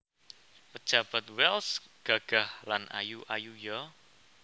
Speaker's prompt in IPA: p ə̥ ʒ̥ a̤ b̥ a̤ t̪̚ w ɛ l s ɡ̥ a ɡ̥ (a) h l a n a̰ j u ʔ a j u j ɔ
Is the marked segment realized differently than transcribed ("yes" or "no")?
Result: no